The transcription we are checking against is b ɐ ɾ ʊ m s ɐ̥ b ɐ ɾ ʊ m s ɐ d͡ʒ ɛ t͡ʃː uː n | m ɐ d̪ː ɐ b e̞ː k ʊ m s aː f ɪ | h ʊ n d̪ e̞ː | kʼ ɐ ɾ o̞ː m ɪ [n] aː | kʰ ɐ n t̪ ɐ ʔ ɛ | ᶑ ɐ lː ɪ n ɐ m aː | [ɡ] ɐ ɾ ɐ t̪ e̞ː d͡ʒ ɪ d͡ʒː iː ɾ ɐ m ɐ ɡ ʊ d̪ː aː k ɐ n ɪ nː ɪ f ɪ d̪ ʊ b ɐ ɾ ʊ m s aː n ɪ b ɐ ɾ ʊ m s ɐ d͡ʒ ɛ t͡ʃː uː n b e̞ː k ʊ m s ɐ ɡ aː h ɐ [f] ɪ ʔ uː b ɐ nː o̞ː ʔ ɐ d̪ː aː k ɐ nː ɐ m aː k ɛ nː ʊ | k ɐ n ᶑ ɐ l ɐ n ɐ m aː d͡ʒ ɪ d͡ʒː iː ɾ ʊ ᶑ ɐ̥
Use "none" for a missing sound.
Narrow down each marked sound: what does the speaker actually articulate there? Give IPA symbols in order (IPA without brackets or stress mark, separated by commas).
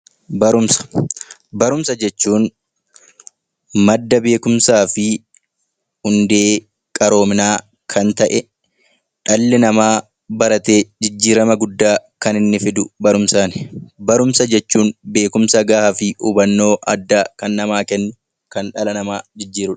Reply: n, b, f